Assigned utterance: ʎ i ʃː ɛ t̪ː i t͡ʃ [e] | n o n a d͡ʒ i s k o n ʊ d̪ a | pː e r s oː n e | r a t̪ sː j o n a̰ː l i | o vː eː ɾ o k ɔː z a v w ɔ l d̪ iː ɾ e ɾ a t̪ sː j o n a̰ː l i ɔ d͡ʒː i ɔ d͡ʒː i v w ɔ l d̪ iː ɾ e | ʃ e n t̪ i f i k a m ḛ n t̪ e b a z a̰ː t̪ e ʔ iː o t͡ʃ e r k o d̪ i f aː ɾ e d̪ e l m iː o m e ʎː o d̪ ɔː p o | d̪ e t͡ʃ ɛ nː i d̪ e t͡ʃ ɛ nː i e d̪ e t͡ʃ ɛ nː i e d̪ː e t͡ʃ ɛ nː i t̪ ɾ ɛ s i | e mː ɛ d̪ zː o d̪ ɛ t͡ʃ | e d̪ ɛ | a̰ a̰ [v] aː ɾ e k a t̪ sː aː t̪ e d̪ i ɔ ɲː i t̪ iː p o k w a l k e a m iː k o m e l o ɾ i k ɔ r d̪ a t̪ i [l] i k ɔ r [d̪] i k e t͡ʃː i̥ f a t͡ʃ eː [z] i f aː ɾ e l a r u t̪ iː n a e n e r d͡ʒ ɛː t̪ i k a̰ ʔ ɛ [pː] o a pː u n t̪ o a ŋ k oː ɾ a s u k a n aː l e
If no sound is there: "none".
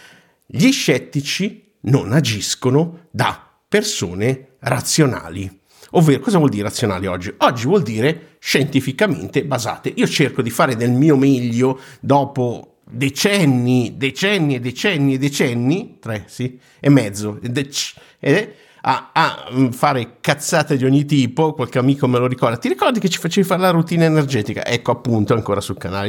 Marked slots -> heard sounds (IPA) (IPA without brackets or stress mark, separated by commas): i, f, ɾ, d̪, v, kː